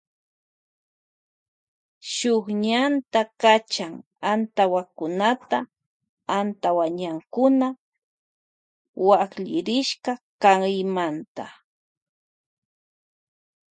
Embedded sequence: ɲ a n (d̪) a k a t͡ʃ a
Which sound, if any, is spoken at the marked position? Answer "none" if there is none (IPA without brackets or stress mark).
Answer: t̪